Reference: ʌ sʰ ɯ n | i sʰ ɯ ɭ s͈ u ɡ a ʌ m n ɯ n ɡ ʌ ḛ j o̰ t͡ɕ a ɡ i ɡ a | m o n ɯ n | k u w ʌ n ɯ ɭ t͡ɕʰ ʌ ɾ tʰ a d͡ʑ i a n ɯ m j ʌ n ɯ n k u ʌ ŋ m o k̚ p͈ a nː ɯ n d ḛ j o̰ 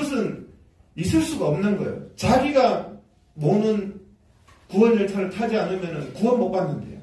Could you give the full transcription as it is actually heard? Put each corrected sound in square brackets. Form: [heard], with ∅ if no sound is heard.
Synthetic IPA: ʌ sʰ ɯ n | i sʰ ɯ ɭ s͈ u ɡ a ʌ m n ɯ n ɡ ʌ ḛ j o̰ t͡ɕ a ɡ i ɡ a | m o n ɯ n | k u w ʌ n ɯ ɭ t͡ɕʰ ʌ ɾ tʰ a d͡ʑ i a n ɯ m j ʌ n ɯ n k u ʌ [n] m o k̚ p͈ a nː ɯ n d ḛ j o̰